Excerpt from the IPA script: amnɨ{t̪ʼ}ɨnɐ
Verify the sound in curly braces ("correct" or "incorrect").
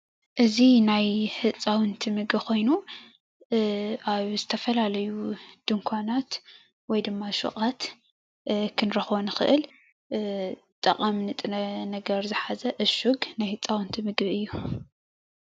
correct